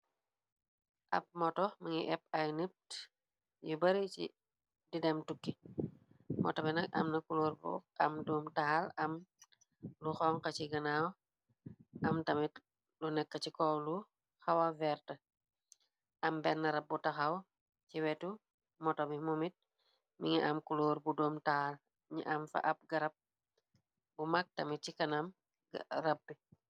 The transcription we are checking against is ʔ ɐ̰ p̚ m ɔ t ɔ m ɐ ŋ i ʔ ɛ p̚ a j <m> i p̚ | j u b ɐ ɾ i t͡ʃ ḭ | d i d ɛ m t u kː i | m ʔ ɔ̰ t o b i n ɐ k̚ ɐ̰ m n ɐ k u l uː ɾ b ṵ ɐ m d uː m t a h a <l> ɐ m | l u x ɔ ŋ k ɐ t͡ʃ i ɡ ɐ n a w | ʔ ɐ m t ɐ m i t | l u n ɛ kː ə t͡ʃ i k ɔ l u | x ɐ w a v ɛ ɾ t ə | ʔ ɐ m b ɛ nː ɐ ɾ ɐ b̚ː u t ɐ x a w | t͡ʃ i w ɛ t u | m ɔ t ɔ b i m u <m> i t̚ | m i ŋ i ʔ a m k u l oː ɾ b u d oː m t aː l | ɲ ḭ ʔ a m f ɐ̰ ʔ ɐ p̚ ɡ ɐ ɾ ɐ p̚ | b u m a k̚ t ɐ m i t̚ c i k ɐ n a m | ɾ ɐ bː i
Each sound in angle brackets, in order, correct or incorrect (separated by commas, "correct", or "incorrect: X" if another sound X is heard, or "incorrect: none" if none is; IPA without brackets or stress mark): incorrect: n, correct, correct